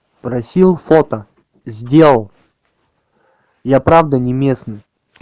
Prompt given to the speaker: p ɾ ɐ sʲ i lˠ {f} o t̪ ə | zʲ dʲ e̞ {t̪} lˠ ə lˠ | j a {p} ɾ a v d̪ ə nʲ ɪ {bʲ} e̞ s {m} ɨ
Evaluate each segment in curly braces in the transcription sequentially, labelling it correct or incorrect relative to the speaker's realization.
correct, incorrect: none, correct, incorrect: mʲ, incorrect: n

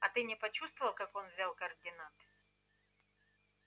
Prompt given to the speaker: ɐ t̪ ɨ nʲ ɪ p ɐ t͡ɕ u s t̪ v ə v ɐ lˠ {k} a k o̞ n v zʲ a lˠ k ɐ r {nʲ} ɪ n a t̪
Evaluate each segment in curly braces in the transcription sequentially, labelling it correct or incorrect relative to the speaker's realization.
correct, incorrect: dʲ

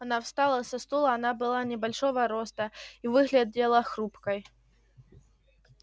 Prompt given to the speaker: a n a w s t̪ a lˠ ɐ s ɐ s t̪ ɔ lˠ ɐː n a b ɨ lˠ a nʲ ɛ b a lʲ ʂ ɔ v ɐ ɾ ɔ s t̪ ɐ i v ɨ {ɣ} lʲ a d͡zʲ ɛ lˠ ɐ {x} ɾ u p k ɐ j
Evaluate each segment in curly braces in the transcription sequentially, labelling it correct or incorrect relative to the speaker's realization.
correct, correct

